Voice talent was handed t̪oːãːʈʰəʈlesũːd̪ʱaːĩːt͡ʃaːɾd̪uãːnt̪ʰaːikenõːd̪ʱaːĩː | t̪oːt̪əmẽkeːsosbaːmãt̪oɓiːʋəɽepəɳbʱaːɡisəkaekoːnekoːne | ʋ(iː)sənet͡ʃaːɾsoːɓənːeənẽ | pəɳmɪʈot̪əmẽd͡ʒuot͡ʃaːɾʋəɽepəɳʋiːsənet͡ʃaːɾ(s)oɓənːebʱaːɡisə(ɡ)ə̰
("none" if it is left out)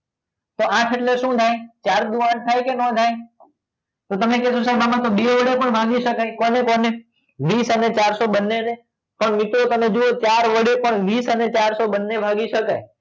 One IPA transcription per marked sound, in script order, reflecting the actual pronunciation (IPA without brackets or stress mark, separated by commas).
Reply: iː, s, k